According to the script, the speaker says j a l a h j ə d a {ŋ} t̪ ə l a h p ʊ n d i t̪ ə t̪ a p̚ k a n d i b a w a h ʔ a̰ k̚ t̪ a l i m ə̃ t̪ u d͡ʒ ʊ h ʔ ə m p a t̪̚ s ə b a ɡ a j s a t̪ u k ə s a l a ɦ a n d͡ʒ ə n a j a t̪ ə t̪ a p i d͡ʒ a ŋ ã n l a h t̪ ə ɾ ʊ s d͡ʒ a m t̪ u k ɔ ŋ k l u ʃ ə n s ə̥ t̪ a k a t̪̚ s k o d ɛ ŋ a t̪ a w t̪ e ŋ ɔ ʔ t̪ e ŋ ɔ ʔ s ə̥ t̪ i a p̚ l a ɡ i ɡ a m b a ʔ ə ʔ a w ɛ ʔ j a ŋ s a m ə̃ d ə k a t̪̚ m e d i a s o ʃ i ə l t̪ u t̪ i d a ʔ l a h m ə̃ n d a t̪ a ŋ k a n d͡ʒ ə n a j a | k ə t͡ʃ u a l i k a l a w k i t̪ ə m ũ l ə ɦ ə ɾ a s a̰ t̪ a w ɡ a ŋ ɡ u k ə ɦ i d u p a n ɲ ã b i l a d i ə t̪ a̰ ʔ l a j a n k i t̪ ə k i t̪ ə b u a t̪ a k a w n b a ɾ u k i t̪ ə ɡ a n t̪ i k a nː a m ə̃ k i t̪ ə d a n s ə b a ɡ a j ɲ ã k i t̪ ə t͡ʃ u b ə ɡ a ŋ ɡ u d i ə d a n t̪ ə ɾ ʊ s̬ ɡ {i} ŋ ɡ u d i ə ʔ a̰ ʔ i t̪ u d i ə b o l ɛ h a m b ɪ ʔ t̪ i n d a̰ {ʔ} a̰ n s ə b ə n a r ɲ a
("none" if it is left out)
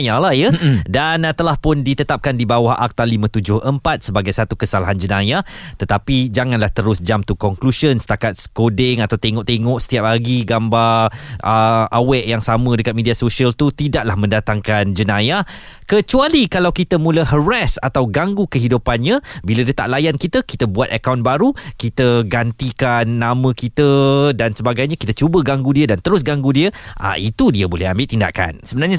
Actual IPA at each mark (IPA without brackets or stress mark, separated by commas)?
n, a, k